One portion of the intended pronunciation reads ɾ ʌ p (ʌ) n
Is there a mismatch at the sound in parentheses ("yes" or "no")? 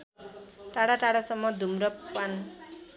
yes